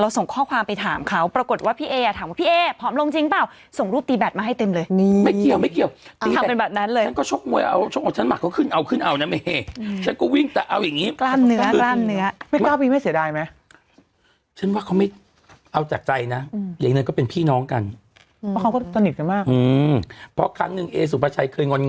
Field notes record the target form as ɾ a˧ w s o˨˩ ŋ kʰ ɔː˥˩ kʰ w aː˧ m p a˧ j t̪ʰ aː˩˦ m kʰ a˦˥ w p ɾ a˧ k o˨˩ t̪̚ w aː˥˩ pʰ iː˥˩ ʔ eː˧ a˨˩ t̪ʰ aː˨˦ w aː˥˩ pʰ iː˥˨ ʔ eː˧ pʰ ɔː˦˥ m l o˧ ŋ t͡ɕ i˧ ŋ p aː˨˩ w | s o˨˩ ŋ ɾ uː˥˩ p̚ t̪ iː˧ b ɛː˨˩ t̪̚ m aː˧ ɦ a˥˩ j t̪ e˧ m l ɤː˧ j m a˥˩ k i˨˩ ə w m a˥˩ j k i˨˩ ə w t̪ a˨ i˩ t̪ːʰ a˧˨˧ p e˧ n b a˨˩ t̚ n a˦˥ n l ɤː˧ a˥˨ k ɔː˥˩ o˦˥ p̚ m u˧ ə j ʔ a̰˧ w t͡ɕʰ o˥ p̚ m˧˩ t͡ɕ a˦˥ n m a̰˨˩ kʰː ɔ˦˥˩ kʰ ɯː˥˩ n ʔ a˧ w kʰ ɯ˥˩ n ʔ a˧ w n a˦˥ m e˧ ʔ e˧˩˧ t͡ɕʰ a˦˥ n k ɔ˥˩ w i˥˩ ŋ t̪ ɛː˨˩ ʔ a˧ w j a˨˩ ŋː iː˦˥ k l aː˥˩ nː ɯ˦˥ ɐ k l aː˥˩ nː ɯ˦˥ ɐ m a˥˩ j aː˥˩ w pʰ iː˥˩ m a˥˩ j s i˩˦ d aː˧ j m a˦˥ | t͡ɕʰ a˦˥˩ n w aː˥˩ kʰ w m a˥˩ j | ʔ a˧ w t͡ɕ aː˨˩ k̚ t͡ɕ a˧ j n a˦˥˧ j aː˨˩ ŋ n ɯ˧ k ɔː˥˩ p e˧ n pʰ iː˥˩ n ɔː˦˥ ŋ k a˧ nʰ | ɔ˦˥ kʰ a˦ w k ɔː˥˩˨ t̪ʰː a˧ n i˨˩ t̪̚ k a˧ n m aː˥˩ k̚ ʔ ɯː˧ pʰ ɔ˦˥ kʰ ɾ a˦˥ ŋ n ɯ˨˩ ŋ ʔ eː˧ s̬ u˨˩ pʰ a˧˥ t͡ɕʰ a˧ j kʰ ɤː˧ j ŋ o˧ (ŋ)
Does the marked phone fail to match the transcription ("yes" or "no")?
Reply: yes